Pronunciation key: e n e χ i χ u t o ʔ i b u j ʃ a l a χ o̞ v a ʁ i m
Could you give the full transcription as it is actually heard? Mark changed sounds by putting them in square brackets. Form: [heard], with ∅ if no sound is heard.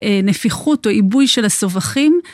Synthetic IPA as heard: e n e [f] i χ u t o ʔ i b u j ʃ [e] l a [s] o̞ v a [χ] i m